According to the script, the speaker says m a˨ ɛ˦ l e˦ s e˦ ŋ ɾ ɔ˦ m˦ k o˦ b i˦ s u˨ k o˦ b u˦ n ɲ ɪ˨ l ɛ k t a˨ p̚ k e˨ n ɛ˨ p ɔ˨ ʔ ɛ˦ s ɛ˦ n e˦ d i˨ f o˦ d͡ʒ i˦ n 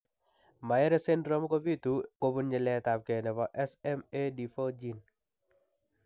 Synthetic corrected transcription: m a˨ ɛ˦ ɾ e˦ s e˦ n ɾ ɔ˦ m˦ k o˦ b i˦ t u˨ k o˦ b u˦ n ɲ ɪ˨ l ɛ t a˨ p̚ k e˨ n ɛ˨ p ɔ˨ ʔ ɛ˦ s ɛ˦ m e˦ d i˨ f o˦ d͡ʒ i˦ n